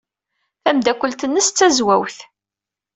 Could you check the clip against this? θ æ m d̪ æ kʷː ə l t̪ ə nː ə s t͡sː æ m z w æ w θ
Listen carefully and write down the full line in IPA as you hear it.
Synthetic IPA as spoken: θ æ m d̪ æ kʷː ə l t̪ ə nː ə s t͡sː æ z w æ w θ